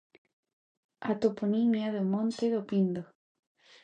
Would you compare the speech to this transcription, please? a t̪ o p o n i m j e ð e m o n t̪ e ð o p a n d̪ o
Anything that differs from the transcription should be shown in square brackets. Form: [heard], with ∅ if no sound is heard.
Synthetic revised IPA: a t̪ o p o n i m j [a] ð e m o n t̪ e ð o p [i] n d̪ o